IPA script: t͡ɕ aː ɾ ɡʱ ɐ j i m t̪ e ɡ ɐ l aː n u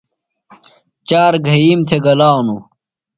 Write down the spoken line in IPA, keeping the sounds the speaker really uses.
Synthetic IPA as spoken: t͡ɕ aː ɾ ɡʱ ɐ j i m t̪ʰ e ɡ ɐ l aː n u